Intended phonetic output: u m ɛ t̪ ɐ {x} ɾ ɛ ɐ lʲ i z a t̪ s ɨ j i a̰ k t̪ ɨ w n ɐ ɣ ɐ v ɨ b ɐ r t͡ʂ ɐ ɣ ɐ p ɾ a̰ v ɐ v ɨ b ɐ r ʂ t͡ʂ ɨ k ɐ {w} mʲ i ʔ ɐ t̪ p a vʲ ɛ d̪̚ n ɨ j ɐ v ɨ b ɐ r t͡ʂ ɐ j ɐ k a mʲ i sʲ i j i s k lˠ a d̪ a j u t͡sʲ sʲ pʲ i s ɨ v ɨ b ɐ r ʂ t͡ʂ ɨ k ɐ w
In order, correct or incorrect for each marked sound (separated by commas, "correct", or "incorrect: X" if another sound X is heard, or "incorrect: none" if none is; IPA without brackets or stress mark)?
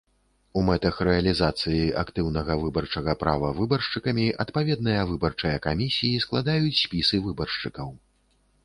correct, incorrect: none